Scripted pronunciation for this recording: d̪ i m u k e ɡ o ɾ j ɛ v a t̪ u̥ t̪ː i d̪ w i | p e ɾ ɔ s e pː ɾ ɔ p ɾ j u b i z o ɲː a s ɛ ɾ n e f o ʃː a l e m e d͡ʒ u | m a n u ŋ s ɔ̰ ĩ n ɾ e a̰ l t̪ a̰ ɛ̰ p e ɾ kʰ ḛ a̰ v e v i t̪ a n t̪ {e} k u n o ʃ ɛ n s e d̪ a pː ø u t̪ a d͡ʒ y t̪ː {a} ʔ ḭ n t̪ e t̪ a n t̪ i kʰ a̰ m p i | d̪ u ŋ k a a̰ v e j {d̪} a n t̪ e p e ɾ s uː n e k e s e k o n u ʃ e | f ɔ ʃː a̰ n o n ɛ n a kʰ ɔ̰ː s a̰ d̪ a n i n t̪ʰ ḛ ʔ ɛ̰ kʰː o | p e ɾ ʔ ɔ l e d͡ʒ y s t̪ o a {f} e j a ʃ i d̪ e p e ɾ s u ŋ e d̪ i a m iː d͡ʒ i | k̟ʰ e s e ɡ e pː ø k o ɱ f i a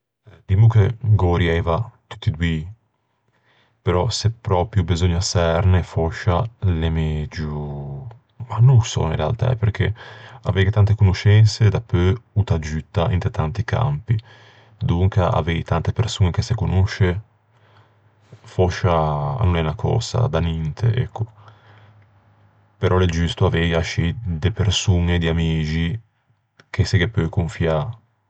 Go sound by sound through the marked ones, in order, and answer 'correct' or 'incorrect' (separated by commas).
correct, correct, incorrect, incorrect